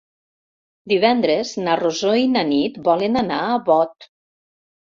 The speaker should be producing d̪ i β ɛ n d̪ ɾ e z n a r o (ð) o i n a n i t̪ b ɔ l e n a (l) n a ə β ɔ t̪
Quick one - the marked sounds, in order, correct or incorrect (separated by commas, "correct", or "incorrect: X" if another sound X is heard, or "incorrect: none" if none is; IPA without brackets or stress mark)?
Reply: incorrect: z, incorrect: none